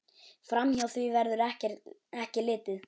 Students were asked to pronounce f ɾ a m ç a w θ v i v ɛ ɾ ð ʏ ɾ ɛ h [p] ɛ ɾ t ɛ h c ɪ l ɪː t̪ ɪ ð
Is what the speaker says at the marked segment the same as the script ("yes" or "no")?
no